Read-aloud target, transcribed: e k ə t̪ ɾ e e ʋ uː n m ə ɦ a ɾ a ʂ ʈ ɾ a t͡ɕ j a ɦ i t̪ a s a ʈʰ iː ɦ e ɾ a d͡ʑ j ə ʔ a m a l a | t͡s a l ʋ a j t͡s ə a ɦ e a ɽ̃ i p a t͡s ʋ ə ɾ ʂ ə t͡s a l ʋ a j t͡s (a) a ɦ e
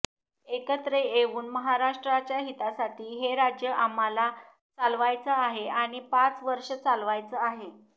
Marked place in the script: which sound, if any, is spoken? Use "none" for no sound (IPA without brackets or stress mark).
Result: ə